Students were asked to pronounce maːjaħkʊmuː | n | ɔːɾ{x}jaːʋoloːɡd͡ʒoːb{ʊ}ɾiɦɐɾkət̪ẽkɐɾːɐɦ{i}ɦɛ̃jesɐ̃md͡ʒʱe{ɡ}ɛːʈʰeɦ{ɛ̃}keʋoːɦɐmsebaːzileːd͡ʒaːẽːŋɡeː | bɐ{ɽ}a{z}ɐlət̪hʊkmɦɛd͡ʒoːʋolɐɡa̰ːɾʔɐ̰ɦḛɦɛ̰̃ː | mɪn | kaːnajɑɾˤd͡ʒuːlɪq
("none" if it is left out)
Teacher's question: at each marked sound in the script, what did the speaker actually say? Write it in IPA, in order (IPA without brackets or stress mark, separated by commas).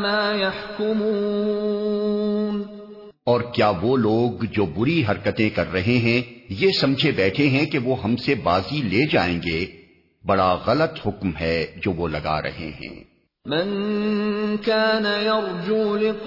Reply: k, ʊ, e, b, ɛ̃, ɽ, ɣ